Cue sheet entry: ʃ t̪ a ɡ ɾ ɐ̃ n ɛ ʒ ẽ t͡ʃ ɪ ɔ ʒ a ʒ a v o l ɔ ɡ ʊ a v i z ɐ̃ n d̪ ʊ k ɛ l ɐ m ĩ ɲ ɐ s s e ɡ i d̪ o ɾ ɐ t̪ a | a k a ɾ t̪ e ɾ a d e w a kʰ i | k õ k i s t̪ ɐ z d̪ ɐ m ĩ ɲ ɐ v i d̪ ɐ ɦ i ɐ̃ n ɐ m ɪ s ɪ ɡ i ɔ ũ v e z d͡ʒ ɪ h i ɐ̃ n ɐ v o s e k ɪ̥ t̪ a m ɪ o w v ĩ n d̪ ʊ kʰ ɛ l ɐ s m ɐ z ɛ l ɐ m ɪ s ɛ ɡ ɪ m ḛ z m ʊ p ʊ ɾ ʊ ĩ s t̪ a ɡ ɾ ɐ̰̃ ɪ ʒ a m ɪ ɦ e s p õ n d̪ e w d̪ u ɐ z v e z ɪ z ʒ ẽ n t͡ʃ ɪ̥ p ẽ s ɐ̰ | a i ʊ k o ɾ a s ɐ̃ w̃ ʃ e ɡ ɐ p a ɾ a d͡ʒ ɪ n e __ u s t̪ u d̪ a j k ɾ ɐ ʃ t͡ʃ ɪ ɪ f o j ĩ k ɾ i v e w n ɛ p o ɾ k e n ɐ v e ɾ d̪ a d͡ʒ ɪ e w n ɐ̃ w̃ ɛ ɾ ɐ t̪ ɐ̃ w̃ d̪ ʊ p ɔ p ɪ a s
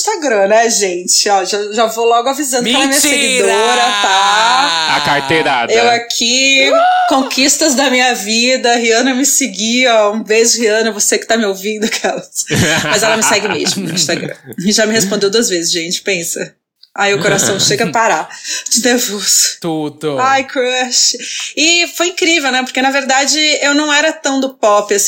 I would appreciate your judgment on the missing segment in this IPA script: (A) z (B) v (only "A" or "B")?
B